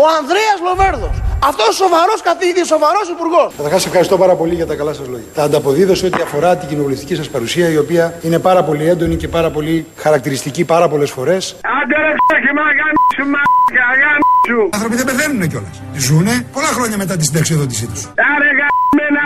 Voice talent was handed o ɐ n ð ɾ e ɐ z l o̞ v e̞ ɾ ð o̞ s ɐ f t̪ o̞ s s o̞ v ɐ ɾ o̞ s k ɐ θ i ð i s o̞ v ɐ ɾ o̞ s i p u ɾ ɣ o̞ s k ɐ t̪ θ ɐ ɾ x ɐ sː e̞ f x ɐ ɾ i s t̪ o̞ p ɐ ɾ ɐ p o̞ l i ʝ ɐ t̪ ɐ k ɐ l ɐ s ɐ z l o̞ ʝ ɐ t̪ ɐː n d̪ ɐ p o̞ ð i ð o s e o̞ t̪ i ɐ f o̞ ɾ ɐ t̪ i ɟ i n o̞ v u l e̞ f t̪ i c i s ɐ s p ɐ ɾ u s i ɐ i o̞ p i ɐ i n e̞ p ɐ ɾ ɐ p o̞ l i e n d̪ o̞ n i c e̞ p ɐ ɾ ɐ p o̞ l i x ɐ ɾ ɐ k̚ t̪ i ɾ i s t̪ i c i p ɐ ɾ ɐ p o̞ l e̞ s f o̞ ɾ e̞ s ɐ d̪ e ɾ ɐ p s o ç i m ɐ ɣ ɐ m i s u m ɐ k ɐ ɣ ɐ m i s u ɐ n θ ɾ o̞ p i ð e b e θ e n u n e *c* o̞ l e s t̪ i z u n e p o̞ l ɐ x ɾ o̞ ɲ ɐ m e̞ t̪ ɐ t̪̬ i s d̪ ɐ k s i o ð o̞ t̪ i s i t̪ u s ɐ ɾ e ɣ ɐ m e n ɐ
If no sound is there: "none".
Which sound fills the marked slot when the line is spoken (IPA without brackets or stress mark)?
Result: c